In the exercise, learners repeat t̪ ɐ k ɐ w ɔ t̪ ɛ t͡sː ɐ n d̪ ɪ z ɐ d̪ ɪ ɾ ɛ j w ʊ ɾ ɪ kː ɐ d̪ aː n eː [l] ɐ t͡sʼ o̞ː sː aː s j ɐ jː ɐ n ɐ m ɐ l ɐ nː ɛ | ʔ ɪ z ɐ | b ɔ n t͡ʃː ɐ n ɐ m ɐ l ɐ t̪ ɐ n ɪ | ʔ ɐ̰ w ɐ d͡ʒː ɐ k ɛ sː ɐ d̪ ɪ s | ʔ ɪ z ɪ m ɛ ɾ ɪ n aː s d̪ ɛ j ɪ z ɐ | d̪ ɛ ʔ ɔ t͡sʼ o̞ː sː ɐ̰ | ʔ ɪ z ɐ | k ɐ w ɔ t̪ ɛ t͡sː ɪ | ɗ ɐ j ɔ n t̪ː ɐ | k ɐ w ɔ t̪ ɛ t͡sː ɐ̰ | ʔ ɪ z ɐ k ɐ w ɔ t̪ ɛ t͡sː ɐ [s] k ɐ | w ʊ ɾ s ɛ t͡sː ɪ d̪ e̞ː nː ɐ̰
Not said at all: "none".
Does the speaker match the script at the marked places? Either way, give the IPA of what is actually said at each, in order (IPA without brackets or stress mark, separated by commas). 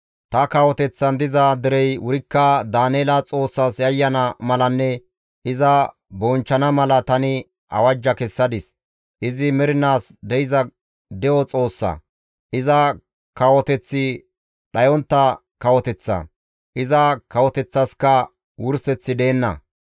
l, s